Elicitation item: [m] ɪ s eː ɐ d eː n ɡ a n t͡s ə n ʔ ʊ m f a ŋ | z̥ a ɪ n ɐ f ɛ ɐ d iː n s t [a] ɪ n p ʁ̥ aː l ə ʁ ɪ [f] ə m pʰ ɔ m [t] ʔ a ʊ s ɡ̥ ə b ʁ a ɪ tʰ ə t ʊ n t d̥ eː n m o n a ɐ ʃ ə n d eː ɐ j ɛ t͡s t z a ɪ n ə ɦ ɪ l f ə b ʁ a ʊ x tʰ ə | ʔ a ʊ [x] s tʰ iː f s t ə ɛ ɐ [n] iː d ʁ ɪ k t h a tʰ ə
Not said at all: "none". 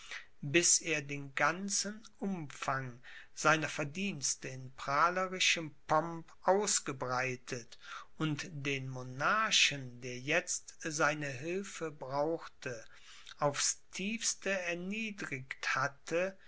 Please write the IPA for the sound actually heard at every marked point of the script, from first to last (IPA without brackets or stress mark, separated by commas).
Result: b, ə, ʃ, p, f, n